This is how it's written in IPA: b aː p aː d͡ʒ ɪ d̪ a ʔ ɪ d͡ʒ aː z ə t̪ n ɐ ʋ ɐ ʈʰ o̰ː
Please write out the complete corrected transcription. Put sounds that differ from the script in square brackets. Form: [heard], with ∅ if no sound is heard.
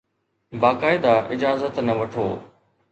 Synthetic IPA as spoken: b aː [k] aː [∅] ɪ d̪ a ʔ ɪ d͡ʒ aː z ə t̪ n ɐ ʋ ɐ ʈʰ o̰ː